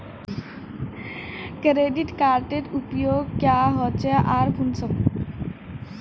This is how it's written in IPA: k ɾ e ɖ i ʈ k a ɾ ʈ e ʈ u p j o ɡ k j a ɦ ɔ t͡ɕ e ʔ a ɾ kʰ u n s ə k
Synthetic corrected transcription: k ɾ e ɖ i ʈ k a ɾ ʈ e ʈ u p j o ɡ k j a ɦ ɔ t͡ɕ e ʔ a ɾ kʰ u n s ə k